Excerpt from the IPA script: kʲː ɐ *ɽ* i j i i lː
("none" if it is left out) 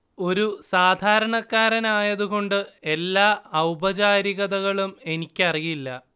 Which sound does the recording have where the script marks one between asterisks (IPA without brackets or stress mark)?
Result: r